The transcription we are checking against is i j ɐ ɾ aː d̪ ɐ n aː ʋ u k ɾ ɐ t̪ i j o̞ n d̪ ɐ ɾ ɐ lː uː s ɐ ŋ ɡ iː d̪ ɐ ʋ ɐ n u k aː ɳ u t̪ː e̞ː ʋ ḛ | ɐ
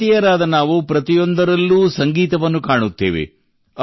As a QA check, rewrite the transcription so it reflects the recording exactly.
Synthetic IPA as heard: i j ɐ ɾ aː d̪ ɐ n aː ʋ u p ɾ ɐ t̪ i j o̞ n d̪ ɐ ɾ ɐ lː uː s ɐ ŋ ɡ iː t̪ ɐ ʋ ɐ nː u k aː ɳ u t̪ː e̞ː ʋ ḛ | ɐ